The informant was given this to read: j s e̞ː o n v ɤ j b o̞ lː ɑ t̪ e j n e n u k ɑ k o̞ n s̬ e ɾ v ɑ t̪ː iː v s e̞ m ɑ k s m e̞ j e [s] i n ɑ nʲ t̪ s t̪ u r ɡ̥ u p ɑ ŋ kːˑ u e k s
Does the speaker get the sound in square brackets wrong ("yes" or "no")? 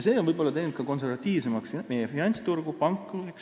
yes